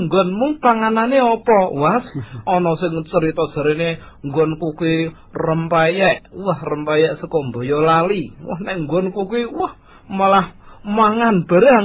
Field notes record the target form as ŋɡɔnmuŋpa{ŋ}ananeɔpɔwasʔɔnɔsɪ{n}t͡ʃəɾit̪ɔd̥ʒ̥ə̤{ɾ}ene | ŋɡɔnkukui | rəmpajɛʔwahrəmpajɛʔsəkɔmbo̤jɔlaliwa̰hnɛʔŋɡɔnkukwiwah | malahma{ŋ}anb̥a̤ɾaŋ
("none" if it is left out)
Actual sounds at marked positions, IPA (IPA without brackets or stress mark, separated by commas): ŋ, ŋ, ɾ, ŋ